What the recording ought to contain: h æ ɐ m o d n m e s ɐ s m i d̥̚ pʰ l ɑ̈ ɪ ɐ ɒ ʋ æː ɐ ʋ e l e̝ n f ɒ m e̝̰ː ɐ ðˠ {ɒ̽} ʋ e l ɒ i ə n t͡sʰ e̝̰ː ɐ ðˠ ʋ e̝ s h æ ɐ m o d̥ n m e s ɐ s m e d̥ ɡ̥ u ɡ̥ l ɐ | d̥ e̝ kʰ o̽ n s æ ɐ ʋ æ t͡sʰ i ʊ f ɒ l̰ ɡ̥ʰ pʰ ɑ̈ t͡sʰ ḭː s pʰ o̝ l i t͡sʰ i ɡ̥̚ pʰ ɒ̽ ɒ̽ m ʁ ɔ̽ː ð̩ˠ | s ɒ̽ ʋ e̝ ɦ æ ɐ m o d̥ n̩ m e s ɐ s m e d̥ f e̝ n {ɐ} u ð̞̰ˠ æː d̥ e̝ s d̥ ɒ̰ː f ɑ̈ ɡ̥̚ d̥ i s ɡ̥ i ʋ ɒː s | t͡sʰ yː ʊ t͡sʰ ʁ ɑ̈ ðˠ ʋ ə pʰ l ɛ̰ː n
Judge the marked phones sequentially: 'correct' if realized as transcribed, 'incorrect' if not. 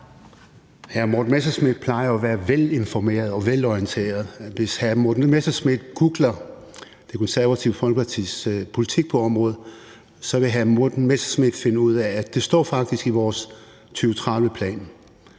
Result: correct, incorrect

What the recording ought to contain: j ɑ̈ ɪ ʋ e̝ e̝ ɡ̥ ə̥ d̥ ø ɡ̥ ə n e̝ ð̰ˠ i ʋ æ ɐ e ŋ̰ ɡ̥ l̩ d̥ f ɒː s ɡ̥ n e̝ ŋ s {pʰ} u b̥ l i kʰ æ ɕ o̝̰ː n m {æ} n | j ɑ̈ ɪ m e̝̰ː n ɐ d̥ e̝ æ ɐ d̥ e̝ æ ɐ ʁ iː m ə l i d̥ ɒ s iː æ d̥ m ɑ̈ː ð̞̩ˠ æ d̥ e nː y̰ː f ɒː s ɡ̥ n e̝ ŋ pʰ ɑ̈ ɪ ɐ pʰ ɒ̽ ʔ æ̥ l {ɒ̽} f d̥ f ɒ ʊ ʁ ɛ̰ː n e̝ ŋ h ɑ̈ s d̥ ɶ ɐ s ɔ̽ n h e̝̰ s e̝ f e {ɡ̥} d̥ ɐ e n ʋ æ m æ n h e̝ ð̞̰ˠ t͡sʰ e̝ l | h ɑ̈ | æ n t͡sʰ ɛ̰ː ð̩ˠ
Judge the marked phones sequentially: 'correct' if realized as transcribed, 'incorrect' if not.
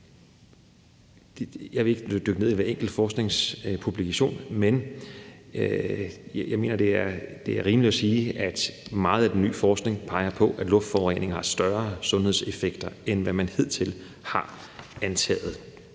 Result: correct, incorrect, incorrect, correct

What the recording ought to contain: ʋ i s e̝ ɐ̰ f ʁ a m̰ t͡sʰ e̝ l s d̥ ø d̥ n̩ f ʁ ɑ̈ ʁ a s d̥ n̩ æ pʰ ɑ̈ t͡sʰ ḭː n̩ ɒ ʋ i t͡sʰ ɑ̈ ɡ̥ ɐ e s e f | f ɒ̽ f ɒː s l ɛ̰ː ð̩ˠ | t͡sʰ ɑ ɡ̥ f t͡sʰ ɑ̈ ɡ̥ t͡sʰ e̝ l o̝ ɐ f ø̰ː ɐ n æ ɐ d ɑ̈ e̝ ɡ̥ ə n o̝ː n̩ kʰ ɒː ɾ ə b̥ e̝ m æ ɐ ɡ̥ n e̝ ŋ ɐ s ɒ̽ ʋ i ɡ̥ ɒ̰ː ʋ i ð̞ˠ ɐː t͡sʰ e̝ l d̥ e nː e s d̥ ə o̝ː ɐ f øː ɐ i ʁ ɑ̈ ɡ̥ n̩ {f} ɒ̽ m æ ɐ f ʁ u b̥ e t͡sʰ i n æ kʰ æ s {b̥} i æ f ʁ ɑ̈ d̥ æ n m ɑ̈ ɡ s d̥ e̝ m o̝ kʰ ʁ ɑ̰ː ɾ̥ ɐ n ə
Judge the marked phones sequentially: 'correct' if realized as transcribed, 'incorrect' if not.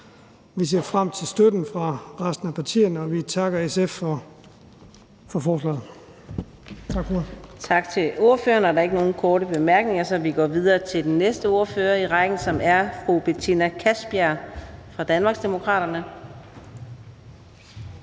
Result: incorrect, correct

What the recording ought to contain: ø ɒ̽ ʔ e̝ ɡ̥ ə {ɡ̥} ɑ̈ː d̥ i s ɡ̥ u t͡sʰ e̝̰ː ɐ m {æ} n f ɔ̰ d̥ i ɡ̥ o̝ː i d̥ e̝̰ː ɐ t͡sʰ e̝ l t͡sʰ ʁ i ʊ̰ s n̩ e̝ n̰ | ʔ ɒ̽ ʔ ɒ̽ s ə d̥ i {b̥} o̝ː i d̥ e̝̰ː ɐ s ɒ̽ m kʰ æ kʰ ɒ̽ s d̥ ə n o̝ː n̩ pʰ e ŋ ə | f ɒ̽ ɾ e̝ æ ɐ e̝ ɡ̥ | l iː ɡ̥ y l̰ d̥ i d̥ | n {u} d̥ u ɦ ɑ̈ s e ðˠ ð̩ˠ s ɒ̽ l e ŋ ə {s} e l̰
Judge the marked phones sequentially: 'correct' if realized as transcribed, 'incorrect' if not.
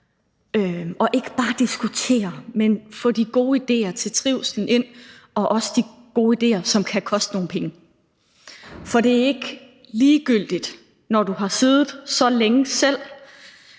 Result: incorrect, incorrect, incorrect, incorrect, correct

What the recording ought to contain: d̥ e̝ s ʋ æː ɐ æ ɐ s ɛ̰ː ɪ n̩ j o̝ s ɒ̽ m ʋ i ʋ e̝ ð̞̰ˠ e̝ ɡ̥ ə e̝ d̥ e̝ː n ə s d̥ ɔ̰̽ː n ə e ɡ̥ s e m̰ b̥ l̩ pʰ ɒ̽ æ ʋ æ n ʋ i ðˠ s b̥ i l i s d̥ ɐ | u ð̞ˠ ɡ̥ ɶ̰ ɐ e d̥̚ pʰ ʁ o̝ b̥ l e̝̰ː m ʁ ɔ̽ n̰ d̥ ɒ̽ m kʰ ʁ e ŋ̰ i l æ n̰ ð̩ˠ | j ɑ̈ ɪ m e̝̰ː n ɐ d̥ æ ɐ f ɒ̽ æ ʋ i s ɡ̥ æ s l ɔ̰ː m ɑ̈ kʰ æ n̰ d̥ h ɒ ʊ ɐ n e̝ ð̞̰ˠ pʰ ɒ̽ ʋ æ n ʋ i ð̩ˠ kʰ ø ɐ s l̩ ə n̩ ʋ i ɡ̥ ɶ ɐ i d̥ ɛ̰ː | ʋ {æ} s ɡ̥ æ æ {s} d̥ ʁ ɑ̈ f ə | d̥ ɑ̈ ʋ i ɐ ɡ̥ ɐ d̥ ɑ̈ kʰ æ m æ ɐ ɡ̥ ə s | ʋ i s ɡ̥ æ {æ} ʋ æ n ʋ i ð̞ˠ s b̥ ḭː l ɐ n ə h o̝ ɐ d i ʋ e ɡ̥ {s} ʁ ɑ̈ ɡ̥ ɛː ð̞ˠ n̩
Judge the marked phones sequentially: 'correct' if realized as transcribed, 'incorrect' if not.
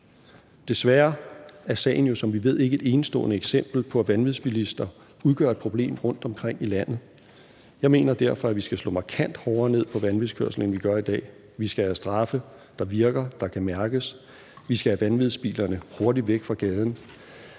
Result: incorrect, correct, correct, incorrect

